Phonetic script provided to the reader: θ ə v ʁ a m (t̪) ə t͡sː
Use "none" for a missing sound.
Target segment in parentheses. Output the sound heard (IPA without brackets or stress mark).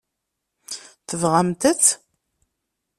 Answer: t̪